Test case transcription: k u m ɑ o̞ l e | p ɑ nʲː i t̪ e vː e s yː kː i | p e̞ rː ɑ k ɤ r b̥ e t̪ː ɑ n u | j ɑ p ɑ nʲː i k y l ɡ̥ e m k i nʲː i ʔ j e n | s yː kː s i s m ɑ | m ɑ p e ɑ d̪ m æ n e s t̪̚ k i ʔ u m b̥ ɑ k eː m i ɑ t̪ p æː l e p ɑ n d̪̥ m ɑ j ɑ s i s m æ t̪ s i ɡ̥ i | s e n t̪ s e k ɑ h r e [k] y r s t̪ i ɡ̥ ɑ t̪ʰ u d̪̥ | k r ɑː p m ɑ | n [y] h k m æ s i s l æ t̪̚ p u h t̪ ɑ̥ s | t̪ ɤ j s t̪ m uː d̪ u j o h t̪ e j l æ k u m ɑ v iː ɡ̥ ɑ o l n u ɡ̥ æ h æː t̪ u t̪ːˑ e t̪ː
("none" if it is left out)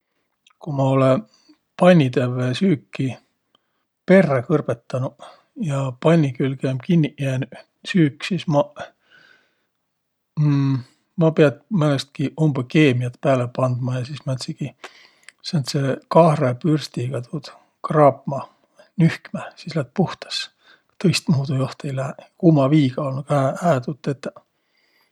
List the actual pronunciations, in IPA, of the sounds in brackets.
p, y

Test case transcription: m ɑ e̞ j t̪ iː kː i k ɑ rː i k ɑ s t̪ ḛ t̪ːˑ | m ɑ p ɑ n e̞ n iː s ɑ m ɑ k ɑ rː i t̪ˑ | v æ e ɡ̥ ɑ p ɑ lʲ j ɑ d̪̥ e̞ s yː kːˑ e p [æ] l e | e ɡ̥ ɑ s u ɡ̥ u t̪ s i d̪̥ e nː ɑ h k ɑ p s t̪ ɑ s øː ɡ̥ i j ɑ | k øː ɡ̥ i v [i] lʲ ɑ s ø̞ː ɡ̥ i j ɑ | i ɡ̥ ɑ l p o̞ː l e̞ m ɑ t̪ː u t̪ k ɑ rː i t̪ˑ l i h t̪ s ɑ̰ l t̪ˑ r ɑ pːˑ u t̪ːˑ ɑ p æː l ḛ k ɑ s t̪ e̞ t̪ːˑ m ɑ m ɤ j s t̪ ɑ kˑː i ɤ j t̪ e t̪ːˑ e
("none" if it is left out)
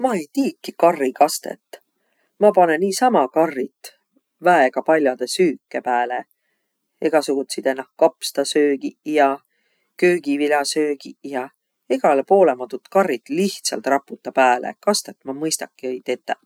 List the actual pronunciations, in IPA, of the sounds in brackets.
æː, i

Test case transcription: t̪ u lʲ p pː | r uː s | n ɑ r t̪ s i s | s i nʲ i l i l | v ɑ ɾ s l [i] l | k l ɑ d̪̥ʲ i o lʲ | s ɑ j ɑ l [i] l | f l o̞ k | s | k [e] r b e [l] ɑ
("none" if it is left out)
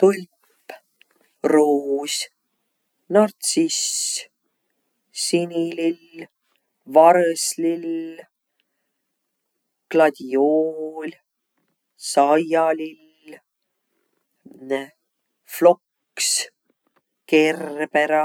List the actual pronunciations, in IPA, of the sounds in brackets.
i, i, e, ɾ

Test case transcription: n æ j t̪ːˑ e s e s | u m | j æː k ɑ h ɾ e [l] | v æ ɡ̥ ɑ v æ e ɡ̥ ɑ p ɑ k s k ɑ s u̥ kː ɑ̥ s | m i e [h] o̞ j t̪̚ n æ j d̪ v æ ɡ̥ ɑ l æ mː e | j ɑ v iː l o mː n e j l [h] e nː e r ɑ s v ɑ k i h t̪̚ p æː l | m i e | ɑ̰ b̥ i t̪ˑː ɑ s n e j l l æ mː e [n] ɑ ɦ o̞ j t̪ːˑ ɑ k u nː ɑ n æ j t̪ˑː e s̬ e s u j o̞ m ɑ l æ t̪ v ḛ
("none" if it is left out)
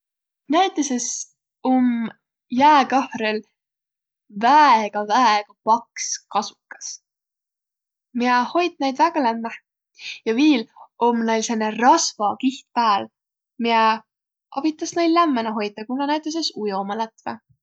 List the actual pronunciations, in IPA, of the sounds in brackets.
l, h, s, n

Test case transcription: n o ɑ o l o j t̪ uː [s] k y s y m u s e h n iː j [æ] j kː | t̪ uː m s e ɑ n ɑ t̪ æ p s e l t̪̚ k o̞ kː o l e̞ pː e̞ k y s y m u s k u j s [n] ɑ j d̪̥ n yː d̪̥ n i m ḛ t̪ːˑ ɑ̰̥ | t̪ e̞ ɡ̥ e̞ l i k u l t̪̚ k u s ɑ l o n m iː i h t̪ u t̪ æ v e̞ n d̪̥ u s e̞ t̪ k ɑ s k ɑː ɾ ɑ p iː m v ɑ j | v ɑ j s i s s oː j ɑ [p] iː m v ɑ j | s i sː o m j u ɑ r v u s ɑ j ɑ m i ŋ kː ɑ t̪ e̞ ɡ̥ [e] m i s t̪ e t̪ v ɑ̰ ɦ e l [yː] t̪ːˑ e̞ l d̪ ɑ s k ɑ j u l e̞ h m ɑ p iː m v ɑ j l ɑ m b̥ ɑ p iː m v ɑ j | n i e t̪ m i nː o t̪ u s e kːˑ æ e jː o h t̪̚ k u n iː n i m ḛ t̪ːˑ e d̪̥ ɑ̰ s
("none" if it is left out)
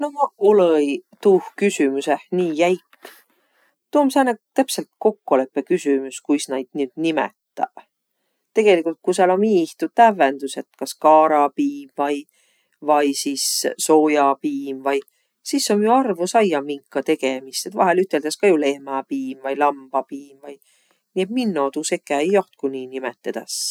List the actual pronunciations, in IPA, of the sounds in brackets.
h, æ, n, p, e, y

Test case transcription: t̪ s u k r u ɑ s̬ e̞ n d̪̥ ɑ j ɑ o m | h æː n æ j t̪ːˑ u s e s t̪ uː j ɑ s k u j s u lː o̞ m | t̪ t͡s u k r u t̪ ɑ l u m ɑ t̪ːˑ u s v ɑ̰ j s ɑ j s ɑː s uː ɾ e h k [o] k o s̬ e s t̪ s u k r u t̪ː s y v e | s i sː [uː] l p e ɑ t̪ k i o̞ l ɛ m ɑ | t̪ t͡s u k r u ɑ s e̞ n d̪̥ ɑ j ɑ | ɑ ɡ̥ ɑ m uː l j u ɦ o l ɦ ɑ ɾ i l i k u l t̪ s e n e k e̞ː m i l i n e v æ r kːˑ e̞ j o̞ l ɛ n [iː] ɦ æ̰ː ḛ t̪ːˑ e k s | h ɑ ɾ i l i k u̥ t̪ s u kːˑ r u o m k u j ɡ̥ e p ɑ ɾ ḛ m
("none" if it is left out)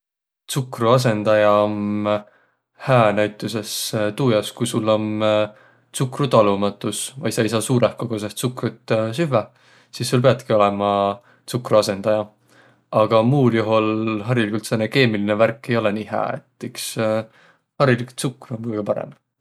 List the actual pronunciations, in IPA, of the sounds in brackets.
o, u, iː

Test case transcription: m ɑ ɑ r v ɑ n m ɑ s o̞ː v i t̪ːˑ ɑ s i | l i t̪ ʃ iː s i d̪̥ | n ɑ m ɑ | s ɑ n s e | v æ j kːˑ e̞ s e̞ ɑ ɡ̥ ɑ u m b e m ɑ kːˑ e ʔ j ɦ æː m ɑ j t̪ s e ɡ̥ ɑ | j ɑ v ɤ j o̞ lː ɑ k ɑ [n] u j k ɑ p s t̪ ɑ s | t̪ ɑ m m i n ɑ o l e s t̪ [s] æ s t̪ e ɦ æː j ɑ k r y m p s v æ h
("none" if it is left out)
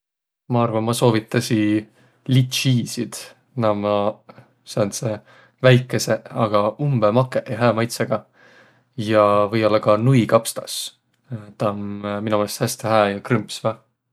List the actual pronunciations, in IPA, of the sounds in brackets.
n, h

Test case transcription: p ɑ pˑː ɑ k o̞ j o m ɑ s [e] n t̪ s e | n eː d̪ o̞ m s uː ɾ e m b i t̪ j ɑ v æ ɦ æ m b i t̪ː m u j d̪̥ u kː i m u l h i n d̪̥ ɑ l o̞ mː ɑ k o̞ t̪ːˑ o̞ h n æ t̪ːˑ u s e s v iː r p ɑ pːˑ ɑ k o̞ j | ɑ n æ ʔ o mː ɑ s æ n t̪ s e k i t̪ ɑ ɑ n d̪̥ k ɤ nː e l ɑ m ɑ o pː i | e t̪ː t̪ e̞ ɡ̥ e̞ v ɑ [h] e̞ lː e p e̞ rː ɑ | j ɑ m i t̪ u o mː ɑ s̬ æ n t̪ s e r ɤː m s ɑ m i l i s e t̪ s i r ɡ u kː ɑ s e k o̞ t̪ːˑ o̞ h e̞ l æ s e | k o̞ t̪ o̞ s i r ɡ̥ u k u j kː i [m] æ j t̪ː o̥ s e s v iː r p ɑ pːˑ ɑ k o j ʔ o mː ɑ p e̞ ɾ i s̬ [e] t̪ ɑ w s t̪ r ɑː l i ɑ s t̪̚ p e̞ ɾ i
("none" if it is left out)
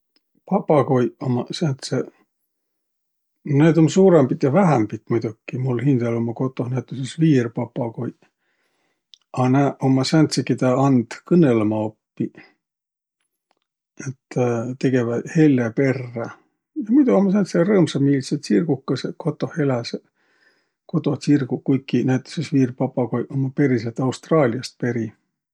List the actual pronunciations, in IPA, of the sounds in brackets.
æ, h, n, e

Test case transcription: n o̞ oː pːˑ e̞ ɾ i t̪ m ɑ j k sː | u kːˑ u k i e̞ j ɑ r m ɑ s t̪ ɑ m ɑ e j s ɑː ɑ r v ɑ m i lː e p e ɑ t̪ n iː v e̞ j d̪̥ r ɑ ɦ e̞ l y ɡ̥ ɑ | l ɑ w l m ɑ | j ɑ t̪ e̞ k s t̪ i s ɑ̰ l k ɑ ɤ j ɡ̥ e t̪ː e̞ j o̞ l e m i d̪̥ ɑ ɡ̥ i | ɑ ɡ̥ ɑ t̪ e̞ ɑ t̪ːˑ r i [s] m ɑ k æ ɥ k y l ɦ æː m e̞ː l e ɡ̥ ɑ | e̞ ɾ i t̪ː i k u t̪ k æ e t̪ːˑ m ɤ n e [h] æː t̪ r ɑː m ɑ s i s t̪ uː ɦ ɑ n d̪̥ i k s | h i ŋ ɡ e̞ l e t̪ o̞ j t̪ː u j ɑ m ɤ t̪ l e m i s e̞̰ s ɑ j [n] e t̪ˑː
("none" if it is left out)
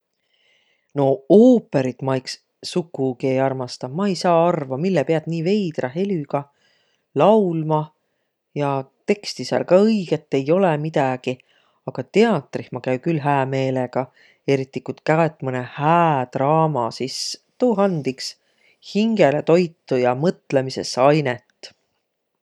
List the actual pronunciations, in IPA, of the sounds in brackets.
h, h, n

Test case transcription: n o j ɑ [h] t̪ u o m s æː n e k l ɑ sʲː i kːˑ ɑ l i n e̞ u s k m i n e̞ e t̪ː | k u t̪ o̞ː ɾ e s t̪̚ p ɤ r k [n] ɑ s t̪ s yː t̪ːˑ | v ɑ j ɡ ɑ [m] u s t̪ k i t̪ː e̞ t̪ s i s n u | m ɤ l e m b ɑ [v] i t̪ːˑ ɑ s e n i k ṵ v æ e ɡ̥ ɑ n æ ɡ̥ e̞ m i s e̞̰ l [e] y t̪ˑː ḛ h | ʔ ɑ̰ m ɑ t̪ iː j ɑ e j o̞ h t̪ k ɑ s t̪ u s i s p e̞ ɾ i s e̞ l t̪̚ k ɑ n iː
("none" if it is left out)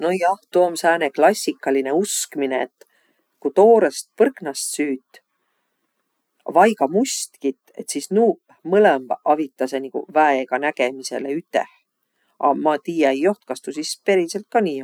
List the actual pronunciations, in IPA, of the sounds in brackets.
h, n, m, v, e

